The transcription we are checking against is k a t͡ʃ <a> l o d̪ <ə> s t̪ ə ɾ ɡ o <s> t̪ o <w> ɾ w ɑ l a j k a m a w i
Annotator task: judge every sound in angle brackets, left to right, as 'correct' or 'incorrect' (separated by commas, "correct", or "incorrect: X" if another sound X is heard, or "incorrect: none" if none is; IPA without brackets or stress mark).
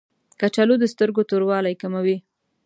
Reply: correct, correct, incorrect: none, incorrect: none